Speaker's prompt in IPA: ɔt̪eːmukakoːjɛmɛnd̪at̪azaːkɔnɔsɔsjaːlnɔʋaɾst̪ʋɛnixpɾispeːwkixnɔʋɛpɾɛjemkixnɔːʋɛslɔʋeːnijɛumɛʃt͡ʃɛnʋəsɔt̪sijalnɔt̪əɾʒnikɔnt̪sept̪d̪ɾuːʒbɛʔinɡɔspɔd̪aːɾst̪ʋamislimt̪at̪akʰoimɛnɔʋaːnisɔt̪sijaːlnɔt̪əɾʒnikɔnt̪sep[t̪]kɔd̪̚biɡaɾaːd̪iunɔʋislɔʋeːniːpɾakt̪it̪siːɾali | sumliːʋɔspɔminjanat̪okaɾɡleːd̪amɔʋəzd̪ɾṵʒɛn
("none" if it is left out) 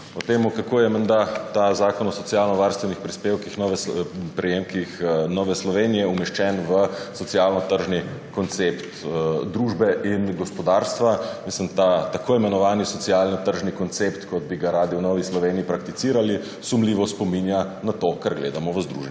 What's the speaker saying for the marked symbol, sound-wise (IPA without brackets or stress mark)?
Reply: t̪